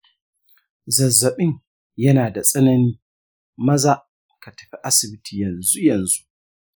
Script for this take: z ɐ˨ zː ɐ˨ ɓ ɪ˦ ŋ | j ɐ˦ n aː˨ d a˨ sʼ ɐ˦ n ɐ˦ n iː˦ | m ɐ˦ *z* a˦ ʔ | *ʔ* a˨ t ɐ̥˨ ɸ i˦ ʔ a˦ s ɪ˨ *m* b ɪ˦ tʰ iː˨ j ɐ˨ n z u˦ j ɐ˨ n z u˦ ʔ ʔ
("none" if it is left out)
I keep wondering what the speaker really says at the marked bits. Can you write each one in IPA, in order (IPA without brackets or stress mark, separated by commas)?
z, k, none